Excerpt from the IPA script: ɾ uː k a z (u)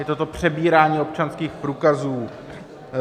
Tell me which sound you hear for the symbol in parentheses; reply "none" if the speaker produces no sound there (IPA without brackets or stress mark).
uː